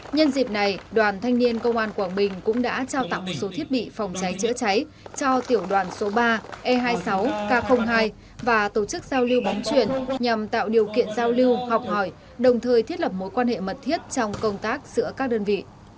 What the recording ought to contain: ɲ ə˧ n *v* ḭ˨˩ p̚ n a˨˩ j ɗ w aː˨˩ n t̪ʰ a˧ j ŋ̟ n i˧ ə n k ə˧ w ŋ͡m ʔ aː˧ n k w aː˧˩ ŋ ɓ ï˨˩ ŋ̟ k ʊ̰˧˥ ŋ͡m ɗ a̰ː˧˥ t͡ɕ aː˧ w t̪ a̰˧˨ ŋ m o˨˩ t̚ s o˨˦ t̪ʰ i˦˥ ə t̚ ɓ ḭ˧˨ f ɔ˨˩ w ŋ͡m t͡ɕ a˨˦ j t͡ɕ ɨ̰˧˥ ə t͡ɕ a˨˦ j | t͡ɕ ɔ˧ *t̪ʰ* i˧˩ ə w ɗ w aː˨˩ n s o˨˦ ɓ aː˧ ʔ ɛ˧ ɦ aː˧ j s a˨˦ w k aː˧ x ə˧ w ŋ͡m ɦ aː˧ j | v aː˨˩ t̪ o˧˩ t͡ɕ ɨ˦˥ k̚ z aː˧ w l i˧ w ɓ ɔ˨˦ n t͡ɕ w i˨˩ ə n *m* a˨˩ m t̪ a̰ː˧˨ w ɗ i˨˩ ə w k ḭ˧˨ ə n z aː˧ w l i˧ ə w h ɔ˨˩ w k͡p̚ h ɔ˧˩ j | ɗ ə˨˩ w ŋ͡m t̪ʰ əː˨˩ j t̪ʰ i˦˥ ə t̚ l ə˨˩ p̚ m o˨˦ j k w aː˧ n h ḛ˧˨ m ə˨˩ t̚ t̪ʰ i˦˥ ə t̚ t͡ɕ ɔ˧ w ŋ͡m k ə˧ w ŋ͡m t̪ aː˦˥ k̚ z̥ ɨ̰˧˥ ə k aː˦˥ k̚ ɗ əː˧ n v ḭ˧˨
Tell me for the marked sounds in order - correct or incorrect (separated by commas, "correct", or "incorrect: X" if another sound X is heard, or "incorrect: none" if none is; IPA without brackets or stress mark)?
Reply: incorrect: z, incorrect: t̪, incorrect: ɲ